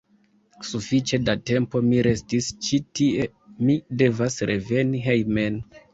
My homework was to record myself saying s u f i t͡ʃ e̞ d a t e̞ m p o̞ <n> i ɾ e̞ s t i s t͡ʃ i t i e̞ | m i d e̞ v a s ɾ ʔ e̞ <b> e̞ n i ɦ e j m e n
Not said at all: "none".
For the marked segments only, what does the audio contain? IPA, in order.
m, v

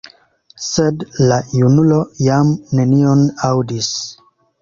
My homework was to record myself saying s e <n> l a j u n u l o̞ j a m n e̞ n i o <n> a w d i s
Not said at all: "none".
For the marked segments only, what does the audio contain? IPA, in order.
d, n

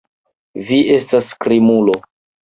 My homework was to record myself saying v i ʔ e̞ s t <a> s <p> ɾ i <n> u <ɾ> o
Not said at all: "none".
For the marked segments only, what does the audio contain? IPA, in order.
a, k, m, l

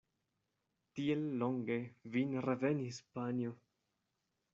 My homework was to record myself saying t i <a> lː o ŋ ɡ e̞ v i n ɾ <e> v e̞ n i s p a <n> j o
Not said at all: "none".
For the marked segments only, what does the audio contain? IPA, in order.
e, e, n

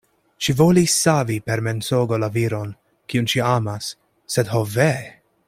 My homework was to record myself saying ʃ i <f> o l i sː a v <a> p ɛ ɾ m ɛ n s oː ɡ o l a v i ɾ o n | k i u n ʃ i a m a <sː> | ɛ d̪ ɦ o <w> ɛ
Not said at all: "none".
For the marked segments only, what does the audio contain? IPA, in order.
v, i, sː, v

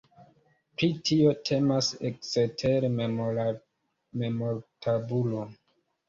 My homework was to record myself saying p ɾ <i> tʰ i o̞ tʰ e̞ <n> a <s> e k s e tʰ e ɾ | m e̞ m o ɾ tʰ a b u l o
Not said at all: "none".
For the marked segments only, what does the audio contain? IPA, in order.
i, m, s

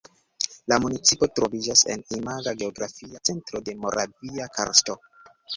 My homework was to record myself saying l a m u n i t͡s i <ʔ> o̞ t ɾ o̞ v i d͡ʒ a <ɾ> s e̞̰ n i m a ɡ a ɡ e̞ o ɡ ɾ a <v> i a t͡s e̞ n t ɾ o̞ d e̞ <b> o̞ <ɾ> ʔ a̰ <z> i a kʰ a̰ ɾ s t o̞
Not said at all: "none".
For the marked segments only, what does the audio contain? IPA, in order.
p, none, f, m, ɾ, v

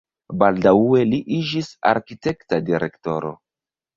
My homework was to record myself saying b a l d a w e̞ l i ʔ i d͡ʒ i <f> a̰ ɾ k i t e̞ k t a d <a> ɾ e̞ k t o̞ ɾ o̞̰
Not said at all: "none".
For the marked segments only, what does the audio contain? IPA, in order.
s, i

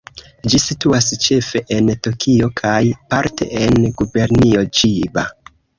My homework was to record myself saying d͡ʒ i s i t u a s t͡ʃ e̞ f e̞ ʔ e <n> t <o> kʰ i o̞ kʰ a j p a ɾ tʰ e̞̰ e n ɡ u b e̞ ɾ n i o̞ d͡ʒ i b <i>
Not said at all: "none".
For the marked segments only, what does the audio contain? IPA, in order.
n, o, a

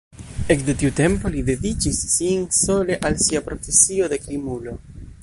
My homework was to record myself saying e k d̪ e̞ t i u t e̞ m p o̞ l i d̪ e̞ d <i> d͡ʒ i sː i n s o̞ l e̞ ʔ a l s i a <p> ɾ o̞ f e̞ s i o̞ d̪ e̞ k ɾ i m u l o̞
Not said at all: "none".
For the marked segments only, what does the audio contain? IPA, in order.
i, p

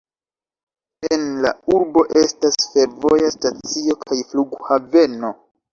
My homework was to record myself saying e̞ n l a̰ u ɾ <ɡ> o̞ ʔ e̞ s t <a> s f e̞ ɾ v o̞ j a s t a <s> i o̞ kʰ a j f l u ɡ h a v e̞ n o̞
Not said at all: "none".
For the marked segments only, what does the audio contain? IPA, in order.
b, a, t͡s

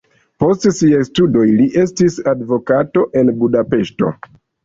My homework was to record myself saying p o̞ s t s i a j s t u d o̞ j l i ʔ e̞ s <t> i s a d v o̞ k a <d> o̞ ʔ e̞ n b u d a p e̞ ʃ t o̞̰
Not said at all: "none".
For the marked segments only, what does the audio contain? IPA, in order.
t, t

